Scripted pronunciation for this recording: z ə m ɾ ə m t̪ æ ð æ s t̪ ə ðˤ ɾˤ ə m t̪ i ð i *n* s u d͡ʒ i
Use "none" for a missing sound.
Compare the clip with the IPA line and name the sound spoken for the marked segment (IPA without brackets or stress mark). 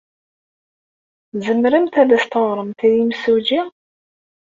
m